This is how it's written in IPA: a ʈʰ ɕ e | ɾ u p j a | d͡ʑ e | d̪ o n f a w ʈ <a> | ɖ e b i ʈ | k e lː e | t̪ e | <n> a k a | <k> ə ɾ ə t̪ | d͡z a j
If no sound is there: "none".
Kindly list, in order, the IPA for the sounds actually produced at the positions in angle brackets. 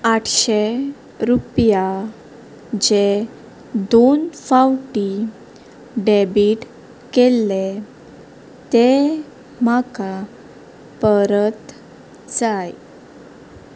i, m, p

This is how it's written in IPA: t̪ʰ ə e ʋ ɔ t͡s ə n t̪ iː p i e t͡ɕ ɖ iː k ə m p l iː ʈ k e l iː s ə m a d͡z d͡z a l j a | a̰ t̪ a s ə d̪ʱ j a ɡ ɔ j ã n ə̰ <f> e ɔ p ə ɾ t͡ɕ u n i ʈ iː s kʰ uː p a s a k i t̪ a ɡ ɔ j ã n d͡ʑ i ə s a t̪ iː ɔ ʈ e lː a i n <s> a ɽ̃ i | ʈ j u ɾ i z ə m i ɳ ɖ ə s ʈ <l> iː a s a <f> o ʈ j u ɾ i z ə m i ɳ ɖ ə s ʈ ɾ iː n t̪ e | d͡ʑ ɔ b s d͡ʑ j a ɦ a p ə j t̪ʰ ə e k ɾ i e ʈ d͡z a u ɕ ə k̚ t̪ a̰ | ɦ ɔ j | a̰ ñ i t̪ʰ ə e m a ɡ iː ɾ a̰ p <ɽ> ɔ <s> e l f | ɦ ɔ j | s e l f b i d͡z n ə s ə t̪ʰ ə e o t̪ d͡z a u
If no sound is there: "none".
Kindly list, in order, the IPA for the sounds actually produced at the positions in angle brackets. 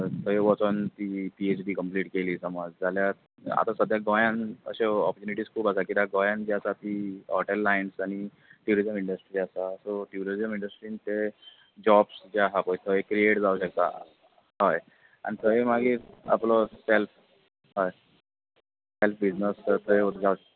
ɕ, s, ɾ, s, l, s

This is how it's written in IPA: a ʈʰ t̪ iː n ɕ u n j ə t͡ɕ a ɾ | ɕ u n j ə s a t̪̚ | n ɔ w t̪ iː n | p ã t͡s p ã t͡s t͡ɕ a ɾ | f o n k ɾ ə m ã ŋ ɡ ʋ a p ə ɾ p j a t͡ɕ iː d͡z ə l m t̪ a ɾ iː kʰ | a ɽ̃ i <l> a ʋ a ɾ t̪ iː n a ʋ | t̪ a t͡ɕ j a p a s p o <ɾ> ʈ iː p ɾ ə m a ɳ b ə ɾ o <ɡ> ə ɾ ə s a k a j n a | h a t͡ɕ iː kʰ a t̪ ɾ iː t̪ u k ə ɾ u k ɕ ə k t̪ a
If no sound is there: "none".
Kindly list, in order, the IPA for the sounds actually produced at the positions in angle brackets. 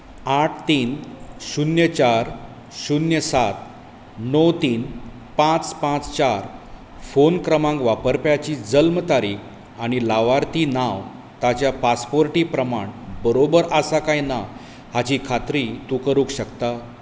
l, ɾ, b

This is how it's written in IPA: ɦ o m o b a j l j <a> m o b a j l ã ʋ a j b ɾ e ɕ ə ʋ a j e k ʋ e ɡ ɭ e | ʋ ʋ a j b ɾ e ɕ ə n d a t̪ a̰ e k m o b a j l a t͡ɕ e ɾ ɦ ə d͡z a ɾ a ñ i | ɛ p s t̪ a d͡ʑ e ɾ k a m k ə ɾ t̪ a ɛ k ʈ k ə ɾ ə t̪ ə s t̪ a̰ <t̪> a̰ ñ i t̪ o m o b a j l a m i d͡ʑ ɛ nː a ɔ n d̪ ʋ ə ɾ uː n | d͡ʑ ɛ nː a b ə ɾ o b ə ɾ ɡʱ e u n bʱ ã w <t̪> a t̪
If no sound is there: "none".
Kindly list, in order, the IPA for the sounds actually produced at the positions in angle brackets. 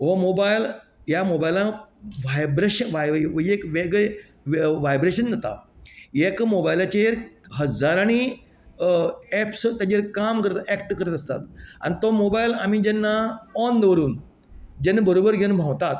a, t̪, t̪

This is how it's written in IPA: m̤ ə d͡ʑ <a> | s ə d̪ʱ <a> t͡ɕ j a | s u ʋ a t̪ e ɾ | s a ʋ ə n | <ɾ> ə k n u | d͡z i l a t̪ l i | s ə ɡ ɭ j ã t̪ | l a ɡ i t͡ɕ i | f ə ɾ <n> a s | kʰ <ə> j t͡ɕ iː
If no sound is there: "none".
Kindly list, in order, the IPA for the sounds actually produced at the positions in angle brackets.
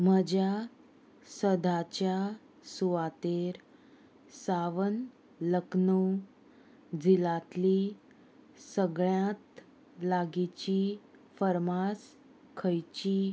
a, a, l, m, ə

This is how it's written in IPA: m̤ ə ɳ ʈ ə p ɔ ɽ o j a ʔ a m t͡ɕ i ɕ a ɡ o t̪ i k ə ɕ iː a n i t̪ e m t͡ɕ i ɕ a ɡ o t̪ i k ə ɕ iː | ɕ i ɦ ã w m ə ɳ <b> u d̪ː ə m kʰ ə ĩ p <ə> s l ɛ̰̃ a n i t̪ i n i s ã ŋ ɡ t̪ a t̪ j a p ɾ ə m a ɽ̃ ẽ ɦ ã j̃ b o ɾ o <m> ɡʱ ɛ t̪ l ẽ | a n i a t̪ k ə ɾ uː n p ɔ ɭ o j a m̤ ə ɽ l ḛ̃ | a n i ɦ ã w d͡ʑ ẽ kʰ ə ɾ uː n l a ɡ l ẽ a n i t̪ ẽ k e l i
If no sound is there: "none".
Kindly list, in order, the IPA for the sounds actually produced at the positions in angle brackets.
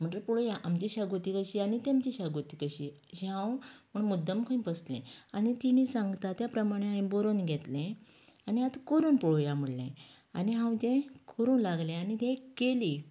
m, ə, n

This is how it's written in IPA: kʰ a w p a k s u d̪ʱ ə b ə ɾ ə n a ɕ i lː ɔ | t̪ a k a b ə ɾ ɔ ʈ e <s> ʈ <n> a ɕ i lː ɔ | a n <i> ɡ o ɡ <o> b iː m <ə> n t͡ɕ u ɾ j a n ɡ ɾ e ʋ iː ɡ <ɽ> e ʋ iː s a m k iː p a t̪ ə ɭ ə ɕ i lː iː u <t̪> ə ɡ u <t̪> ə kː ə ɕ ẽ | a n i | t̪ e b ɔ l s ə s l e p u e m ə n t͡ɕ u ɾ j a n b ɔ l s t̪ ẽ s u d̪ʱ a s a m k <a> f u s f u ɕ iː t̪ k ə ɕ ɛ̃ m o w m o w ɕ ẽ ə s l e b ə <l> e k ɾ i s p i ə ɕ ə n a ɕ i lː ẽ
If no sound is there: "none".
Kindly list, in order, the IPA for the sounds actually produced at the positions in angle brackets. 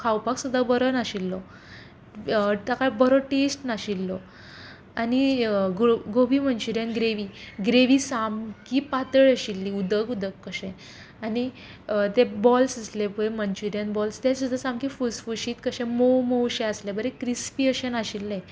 s, n, i, o, ə, ɾ, d̪, d̪, i, ɾ

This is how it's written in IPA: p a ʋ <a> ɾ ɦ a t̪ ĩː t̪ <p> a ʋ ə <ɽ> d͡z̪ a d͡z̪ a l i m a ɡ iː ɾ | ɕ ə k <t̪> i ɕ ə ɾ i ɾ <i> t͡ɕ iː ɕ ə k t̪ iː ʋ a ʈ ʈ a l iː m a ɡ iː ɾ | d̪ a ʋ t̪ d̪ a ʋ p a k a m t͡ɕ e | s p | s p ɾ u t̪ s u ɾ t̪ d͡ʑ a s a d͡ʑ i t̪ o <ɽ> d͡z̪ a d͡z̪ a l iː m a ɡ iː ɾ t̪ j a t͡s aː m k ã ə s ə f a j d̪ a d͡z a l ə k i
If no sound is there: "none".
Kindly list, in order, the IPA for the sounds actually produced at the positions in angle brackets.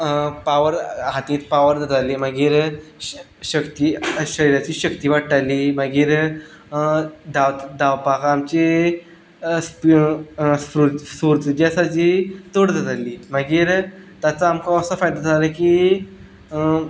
ə, p, ɾ, t̪, a, ɽ

